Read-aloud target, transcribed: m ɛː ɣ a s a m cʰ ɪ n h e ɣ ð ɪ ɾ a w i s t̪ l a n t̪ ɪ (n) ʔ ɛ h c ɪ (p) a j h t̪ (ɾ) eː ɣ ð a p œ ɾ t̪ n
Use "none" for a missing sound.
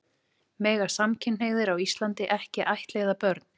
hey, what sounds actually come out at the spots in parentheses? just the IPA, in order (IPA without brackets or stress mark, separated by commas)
none, ʔ, l